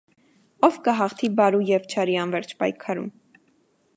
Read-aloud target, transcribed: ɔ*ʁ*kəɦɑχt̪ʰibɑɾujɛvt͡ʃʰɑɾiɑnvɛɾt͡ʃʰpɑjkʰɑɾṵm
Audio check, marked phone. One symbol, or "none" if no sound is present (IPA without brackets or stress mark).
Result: v